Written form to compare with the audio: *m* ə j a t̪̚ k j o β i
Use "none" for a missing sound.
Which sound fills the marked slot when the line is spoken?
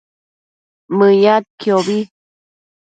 m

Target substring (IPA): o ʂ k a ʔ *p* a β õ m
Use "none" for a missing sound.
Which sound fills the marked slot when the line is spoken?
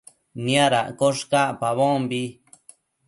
p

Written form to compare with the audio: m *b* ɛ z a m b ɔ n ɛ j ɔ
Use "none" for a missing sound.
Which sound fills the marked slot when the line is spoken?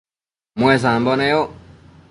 w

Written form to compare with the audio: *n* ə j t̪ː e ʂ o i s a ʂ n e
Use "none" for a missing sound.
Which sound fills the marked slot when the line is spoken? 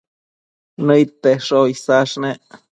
n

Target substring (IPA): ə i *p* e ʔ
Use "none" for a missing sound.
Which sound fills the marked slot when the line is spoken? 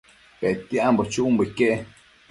k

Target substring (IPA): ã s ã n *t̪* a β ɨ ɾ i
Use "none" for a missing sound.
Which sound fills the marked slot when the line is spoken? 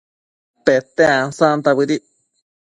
t̪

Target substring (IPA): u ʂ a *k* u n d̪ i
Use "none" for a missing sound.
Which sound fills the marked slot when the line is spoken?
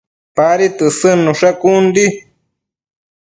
k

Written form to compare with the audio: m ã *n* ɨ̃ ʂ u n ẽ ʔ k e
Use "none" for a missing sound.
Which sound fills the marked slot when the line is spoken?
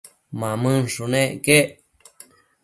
m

